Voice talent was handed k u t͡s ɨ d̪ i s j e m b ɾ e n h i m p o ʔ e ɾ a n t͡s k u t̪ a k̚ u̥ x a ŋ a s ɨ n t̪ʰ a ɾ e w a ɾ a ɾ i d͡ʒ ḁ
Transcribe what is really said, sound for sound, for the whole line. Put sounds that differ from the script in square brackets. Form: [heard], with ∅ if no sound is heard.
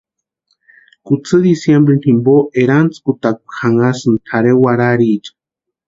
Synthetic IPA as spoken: k u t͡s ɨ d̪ i s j e m b ɾ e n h i m [b] o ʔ e ɾ a n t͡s k u t̪ a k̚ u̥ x a ŋ a s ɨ n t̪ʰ a ɾ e w a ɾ a ɾ i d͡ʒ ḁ